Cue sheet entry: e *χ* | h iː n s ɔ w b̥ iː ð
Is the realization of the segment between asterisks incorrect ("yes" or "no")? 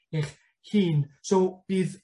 no